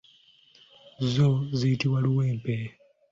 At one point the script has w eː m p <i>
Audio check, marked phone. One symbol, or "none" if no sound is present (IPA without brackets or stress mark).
e